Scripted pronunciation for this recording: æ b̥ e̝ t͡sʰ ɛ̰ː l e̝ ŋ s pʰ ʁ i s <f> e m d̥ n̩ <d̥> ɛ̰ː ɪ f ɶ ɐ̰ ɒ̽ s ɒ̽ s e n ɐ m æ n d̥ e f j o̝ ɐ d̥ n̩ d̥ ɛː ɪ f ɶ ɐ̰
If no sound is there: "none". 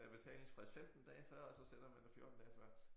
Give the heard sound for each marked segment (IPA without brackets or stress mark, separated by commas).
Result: f, d̥